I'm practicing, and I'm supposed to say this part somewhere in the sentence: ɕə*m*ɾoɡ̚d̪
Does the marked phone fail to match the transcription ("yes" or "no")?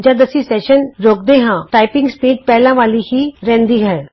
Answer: yes